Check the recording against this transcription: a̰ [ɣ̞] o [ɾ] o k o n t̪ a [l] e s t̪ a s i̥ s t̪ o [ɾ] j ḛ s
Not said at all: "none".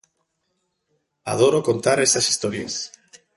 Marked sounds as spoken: ð̞, ɾ, ɾ, ɾ

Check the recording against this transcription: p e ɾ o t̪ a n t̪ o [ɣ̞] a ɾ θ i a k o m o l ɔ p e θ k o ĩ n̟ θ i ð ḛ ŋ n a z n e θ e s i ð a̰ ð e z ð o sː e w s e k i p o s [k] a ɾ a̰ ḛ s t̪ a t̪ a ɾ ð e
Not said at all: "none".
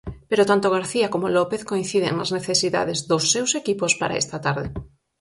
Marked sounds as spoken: ɣ̞, p

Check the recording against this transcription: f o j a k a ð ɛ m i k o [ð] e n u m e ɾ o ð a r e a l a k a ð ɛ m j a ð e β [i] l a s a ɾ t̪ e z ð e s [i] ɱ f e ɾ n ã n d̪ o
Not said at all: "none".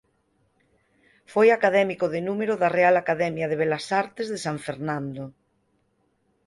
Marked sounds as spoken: ð, e, a

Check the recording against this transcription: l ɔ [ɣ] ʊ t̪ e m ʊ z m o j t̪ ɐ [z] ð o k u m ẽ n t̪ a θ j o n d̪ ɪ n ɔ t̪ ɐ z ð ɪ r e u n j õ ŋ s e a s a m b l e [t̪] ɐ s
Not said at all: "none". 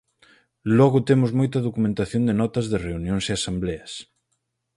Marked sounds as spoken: ɣ, none, none

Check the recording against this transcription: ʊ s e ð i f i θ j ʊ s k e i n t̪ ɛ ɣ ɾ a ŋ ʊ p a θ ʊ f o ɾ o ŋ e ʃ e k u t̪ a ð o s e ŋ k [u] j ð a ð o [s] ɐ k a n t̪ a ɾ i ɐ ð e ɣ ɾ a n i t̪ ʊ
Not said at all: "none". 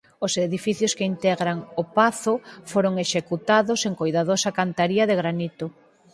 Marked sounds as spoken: o, s

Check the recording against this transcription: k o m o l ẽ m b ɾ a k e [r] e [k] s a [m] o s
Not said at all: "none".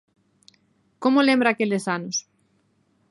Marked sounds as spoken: l, none, n

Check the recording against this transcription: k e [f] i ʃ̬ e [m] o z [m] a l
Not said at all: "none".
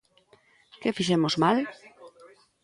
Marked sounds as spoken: f, m, m

